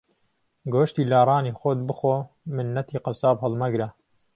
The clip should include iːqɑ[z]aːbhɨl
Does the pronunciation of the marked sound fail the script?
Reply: yes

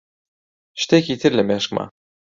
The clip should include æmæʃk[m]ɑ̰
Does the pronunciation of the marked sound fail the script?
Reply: no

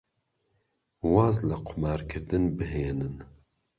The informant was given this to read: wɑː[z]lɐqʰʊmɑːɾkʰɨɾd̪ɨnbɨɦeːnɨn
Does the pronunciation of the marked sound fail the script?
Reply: no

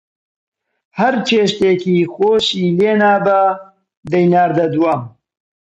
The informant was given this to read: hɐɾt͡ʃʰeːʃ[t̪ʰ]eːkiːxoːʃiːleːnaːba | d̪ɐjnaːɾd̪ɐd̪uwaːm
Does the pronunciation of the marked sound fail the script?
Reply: yes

